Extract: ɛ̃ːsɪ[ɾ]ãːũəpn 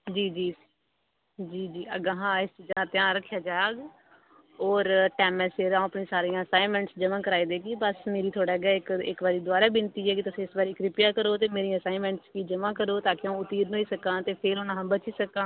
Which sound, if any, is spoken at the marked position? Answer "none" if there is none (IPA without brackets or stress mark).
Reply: ɾ